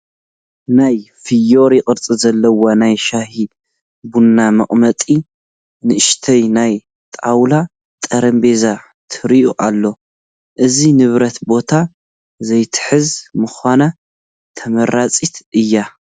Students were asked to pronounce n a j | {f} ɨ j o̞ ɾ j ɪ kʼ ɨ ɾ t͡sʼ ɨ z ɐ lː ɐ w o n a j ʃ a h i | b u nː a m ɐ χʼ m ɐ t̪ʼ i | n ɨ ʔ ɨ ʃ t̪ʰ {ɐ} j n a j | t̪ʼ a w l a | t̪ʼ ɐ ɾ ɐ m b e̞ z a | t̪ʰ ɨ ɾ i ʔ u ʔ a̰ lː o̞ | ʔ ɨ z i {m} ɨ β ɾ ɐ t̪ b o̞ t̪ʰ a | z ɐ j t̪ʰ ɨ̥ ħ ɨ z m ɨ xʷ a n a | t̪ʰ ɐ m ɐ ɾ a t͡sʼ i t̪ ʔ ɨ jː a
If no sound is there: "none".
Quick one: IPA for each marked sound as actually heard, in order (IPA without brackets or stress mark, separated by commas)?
f, ɐ, n